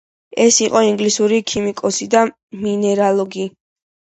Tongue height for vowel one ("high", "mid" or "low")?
mid